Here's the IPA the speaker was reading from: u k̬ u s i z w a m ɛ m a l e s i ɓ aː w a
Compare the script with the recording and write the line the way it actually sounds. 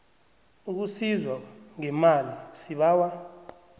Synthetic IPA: u k̬ u s i z w a ŋ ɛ m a l i s i ɓ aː w a